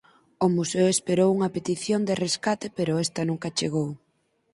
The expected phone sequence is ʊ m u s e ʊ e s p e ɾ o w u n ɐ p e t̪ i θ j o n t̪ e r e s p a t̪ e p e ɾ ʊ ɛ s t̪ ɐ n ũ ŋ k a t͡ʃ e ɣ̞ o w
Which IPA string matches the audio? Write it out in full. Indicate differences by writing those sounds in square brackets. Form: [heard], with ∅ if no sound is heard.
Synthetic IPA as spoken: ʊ m u s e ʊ e s p e ɾ o w u [ŋ] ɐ p e t̪ i θ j o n [d̪] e r e s [k] a t̪ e p e ɾ ʊ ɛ s t̪ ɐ n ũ ŋ k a t͡ʃ e ɣ̞ o w